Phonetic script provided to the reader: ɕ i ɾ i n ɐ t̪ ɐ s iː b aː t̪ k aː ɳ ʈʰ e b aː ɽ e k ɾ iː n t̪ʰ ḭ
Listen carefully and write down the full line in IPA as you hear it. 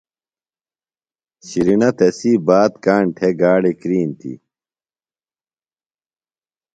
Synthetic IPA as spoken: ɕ i ɾ i n ɐ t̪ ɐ s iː b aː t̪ k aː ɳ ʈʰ e ɡ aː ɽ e k ɾ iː n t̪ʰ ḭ

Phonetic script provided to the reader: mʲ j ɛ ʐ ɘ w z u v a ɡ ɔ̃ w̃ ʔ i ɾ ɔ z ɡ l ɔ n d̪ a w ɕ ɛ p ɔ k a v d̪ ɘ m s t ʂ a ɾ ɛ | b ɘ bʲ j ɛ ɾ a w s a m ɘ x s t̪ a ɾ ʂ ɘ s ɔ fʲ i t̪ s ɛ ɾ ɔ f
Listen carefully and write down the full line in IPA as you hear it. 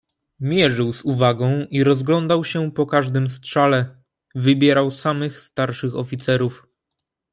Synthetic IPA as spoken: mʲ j ɛ ʐ ɘ w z u v a ɡ ɔ̃ w̃ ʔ i ɾ ɔ z ɡ l ɔ n d̪ a w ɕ ɛ p ɔ k a ʐ d̪ ɘ m s t ʂ a l ɛ | v ɘ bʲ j ɛ ɾ a w s a m ɘ x s t̪ a ɾ ʂ ɘ x ɔ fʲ i t̪ s ɛ ɾ u f

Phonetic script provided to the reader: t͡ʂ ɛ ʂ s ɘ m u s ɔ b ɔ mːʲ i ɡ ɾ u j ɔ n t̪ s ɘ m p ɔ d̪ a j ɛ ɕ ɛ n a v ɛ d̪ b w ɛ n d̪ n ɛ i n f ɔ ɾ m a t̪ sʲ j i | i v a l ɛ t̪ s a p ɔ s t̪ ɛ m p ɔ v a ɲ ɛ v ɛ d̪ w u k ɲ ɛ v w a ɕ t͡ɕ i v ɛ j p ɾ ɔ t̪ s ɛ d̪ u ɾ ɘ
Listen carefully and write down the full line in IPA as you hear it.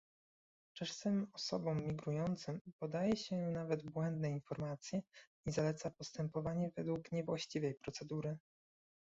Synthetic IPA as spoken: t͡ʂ ɛ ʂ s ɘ m ɔ s ɔ b ɔ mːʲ i ɡ ɾ u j ɔ n t̪ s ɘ m p ɔ d̪ a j ɛ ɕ ɛ n a v ɛ d̪ b w ɛ n d̪ n ɛ i n f ɔ ɾ m a t̪ sʲ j ɛ | i z a l ɛ t̪ s a p ɔ s t̪ ɛ m p ɔ v a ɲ ɛ v ɛ d̪ w u k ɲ ɛ v w a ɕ t͡ɕ i v ɛ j p ɾ ɔ t̪ s ɛ d̪ u ɾ ɘ

